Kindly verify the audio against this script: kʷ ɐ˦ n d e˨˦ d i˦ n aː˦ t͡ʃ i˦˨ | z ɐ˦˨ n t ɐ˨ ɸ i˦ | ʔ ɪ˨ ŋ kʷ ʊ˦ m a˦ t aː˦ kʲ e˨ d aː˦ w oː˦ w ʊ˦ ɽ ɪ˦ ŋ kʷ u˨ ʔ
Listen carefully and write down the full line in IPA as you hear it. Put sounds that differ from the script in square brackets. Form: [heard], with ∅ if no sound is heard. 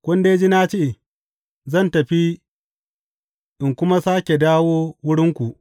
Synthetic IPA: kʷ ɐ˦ n d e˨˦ [d͡ʒ] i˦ n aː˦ t͡ʃ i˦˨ | z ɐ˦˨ n t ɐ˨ ɸ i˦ | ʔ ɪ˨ ŋ kʷ ʊ˦ m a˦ [s] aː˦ kʲ e˨ d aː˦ w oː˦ w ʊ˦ ɽ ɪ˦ ŋ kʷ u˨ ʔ